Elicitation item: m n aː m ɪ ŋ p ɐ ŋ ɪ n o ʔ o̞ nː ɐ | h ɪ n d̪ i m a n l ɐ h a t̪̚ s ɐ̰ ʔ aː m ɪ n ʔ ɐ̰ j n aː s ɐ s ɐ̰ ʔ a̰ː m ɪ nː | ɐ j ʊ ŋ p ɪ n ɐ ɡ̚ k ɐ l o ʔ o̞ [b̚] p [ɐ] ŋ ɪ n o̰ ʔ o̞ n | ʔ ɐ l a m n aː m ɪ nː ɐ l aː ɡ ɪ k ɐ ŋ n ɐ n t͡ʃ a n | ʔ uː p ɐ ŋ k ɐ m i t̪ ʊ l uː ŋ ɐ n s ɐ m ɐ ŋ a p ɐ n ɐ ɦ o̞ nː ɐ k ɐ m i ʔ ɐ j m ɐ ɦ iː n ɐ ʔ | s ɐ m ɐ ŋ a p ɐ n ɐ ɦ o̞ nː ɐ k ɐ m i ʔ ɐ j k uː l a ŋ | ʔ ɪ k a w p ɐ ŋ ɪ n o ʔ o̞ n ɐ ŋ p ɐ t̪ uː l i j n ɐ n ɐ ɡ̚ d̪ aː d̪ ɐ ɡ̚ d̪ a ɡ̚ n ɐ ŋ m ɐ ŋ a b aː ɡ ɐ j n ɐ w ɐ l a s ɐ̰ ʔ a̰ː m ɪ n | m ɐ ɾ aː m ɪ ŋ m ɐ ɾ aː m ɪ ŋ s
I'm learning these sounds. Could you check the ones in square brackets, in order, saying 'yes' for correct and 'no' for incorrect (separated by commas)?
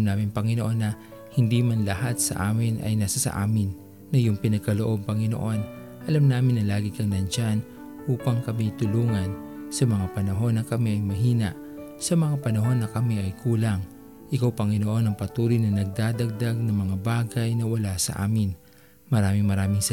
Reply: yes, yes